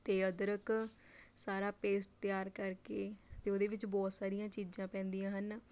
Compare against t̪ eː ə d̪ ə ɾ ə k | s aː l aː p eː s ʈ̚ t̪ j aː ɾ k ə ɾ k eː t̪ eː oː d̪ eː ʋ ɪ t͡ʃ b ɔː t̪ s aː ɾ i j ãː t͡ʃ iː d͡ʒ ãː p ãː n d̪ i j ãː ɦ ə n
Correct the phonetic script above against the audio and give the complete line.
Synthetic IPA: t̪ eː ə d̪ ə ɾ ə k | s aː ɾ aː p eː s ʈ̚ t̪ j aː ɾ k ə ɾ k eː t̪ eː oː d̪ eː ʋ ɪ t͡ʃ b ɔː t̪ s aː ɾ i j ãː t͡ʃ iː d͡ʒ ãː p ɛ̃ː n d̪ i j ãː ɦ ə n